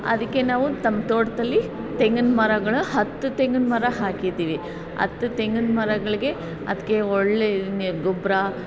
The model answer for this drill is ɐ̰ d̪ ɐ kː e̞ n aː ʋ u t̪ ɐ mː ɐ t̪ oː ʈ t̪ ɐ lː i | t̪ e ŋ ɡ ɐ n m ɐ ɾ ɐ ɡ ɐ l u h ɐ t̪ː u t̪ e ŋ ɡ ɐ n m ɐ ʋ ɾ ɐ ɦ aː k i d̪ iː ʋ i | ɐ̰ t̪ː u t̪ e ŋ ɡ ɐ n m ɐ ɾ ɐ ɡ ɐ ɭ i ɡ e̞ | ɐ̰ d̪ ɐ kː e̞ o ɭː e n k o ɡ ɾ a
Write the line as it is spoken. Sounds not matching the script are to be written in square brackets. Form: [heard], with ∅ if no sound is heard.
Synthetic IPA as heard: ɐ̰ d̪ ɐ kː e̞ n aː ʋ u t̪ ɐ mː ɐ t̪ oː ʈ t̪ ɐ lː i | t̪ e ŋ ɡ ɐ n m ɐ ɾ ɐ ɡ ɐ [ɭ] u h ɐ t̪ː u t̪ e ŋ ɡ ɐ n m ɐ [∅] ɾ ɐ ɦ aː k i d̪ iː ʋ i | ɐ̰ t̪ː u t̪ e ŋ ɡ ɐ n m ɐ ɾ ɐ ɡ ɐ ɭ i ɡ e̞ | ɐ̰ d̪ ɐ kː e̞ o ɭː e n [ɡ] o [b] ɾ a

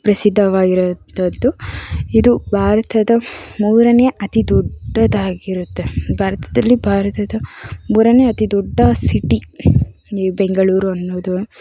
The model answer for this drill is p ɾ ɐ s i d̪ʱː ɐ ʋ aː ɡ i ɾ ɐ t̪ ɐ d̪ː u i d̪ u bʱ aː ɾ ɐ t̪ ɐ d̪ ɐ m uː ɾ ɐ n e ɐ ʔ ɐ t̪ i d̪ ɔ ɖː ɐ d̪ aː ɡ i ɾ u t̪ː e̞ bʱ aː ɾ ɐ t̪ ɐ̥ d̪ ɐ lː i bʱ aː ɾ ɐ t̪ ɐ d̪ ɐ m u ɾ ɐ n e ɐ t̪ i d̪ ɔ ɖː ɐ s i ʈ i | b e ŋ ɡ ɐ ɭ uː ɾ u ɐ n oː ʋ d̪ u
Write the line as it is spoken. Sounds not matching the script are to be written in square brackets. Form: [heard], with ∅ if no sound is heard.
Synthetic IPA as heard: p ɾ ɐ s i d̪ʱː ɐ ʋ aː ɡ i ɾ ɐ t̪ ɐ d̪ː u i d̪ u bʱ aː ɾ ɐ t̪ ɐ d̪ ɐ m uː ɾ ɐ n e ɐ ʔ ɐ t̪ i d̪ ɔ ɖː ɐ d̪ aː ɡ i ɾ u t̪ː e̞ bʱ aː ɾ ɐ t̪ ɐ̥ d̪ ɐ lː i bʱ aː ɾ ɐ t̪ ɐ d̪ ɐ m [uː] ɾ ɐ n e ɐ t̪ i d̪ ɔ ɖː ɐ s i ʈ i | b e ŋ ɡ ɐ ɭ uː ɾ u ɐ [nː] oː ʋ d̪ u

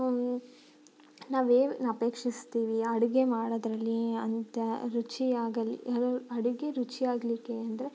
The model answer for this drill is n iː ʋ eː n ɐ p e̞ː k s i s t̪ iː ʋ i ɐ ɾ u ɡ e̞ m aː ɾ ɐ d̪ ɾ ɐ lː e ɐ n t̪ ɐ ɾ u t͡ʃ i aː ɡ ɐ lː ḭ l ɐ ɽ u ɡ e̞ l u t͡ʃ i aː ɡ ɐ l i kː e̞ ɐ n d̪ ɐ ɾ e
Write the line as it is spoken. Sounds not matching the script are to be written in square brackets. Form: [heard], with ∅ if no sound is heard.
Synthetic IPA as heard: n [aː] ʋ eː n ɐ p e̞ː k [ʂ] i s t̪ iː ʋ i ɐ [ɽ] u ɡ e̞ m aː [ɽ] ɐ d̪ ɾ ɐ lː [i] ɐ n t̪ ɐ ɾ u t͡ʃ i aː ɡ ɐ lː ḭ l ɐ ɽ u ɡ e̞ [ɾ] u t͡ʃ i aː ɡ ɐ l i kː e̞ ɐ n d̪ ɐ ɾ e

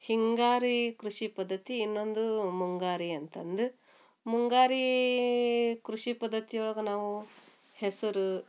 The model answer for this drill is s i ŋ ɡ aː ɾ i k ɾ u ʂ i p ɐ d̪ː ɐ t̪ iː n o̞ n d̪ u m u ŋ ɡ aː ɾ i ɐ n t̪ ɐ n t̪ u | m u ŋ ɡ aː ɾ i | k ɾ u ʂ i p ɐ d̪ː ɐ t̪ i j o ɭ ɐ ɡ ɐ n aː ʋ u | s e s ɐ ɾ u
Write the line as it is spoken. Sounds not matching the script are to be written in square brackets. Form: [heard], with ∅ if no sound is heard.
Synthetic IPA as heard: [h] i ŋ ɡ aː ɾ i k ɾ u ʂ i p ɐ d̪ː ɐ t̪ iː [nː] o̞ n d̪ u m u ŋ ɡ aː ɾ i ɐ n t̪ ɐ n [d̪] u | m u ŋ ɡ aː ɾ i | k ɾ u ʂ i p ɐ d̪ː ɐ t̪ i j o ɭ ɐ ɡ ɐ n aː ʋ u | [h] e s ɐ ɾ u

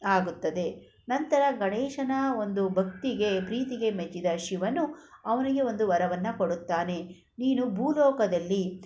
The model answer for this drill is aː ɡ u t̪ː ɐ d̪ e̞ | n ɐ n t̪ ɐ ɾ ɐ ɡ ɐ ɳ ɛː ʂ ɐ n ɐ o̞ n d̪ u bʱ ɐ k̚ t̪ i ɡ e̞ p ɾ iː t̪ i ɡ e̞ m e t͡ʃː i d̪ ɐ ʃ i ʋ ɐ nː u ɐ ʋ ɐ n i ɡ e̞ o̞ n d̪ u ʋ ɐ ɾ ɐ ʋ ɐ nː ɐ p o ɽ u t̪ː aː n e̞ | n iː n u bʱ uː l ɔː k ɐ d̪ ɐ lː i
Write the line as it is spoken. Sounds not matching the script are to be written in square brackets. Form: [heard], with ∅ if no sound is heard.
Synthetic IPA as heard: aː ɡ u t̪ː ɐ d̪ e̞ | n ɐ n t̪ ɐ ɾ ɐ ɡ ɐ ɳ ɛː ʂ ɐ n ɐ o̞ n d̪ u bʱ ɐ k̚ t̪ i ɡ e̞ p ɾ iː t̪ i ɡ e̞ m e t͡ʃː i d̪ ɐ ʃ i ʋ ɐ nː u ɐ ʋ ɐ n i ɡ e̞ o̞ n d̪ u ʋ ɐ ɾ ɐ ʋ ɐ nː ɐ [k] o ɽ u t̪ː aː n e̞ | n iː n u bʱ uː l ɔː k ɐ d̪ ɐ lː i

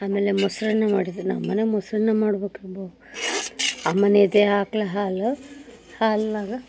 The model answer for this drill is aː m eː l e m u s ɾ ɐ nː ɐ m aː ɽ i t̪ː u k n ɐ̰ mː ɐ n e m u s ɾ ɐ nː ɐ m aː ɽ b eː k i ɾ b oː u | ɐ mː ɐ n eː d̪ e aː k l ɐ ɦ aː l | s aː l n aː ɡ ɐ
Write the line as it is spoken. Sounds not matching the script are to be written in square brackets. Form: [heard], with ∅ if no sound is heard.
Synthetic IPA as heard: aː m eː l e m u s ɾ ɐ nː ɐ m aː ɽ i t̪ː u [∅] n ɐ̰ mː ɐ n e m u s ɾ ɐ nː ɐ m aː ɽ b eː k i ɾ b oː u | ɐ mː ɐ n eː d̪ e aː k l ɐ ɦ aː l | [h] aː l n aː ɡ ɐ

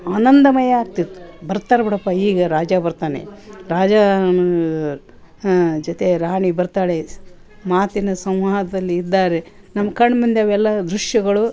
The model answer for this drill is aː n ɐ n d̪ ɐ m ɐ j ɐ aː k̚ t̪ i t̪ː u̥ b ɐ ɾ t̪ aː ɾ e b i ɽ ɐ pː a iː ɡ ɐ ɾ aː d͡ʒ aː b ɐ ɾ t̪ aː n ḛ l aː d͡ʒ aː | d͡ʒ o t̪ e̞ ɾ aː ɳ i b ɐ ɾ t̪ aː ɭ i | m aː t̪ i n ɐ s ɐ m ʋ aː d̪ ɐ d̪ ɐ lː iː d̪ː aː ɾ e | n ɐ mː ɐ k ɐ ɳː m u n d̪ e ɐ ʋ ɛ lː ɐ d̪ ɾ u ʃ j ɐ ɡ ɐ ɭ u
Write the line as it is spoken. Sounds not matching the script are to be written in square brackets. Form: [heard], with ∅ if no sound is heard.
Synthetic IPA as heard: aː n ɐ n d̪ ɐ m ɐ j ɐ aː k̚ t̪ i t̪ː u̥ b ɐ ɾ t̪ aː ɾ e b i ɽ ɐ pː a iː ɡ ɐ ɾ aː d͡ʒ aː b ɐ ɾ t̪ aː n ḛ [ɾ] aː d͡ʒ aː | d͡ʒ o t̪ e̞ ɾ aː ɳ i b ɐ ɾ t̪ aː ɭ [e] | m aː t̪ i n ɐ s ɐ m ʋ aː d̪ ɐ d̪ ɐ lː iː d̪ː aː ɾ e | n ɐ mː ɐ k ɐ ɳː m u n d̪ e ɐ ʋ ɛ lː ɐ d̪ ɾ u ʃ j ɐ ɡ ɐ ɭ u

